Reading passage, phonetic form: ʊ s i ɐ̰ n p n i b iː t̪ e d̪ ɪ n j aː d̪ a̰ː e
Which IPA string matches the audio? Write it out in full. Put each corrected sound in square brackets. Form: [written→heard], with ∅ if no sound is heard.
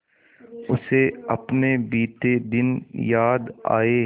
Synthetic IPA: ʊ s [i→e] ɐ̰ [n→∅] p n [i→e] b iː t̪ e d̪ ɪ n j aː d̪ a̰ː e